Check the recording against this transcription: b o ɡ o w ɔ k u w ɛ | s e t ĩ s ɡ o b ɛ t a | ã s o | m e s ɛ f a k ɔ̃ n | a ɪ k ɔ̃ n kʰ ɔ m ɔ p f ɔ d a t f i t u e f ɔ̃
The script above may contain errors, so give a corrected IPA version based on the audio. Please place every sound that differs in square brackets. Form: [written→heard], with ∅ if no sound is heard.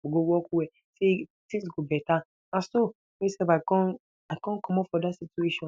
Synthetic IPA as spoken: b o ɡ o w ɔ k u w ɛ | s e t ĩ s ɡ o b ɛ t a | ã s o | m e s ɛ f a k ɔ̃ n | a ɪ k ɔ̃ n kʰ ɔ m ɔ p f ɔ d a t [f→s] i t u e [f→ʃ] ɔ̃